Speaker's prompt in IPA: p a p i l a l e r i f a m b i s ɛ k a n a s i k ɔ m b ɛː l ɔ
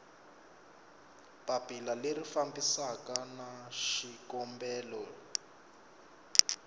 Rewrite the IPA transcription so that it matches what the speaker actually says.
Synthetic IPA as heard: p a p i l a l e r i f a m b i s a k a n a ʃ i k ɔ m b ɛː l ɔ

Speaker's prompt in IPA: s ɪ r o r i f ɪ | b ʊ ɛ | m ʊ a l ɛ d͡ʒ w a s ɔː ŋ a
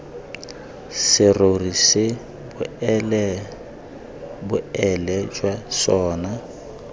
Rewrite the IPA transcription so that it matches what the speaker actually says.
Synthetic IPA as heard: s ɪ r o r i s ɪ | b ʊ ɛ | b ʊ ɛ l ɛ d͡ʒ w a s ɔː n a

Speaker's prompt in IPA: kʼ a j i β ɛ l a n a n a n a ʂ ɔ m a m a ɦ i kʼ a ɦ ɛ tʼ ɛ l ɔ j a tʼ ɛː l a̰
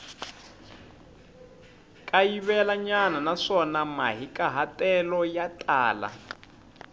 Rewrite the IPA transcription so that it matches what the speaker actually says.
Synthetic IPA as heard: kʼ a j i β ɛ l a ɲ a n a n a ʂ ɔ n a m a ɦ i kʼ a ɦ a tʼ ɛ l ɔ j a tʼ aː l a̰

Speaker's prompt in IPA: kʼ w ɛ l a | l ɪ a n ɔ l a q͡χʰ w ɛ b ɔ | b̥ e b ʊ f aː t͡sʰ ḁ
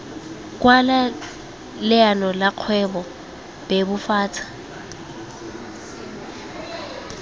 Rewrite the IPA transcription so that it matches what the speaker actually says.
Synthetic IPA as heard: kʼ w a l a | l ɪ a n ɔ l a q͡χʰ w ɛ b ɔ | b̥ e b ʊ f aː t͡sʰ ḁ

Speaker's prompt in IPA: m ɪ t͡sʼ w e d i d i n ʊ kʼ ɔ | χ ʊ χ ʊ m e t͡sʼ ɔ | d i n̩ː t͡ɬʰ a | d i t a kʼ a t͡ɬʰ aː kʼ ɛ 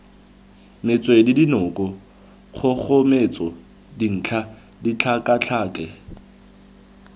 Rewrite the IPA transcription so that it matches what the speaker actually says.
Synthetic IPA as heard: m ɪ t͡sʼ w e d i d i n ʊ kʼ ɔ | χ ʊ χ ʊ m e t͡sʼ ɔ | d i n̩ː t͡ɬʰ a | d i t͡ɬʰ a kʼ a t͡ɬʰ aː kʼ ɛ

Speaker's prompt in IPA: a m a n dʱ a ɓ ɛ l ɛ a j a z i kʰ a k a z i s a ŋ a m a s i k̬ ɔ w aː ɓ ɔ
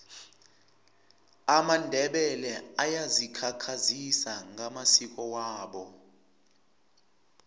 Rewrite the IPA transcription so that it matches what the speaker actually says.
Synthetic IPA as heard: a m a n dʱ ɛ ɓ ɛ l ɛ a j a z i kʰ a kʰ a z i s a ŋ a m a s i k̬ ɔ w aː ɓ ɔ

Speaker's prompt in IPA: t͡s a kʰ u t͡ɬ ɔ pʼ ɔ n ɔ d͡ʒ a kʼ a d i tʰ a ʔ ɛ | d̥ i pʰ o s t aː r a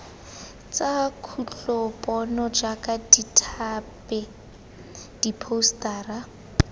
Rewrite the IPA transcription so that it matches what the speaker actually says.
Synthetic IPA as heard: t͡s a kʰ u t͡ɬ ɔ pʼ ɔ n ɔ d͡ʒ a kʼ a d i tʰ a p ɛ | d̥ i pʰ o s t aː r a

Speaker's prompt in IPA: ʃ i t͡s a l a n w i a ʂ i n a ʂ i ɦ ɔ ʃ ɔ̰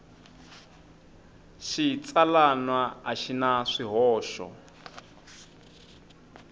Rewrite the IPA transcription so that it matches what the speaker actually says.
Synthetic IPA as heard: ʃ i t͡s a l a n w a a ʃ i n a ʂ i ɦ ɔː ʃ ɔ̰

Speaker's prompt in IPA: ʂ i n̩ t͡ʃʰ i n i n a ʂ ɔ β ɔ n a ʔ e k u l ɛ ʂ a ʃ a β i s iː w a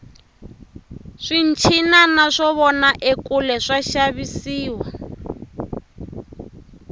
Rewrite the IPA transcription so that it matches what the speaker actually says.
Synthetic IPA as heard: ʂ i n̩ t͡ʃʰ i n a n a ʂ ɔ β ɔ n a ʔ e k u l ɛ ʂ a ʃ a β i s iː w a

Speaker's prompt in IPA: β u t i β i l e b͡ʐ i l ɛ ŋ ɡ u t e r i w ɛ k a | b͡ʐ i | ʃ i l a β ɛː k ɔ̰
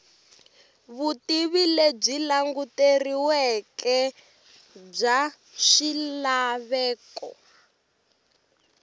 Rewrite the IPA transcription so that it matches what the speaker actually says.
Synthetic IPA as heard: β u t i β i l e b͡ʐ i l a ŋ ɡ u t e r i w ɛ k ɛ | b͡ʐ a | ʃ i l a β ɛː k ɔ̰

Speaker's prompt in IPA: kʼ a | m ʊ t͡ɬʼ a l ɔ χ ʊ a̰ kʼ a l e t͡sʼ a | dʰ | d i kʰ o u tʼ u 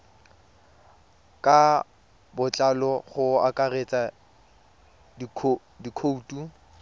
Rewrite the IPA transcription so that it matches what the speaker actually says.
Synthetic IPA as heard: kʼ a | b ʊ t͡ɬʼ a l ɔ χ ʊ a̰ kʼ a r e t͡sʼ a | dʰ | d i kʰ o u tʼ u

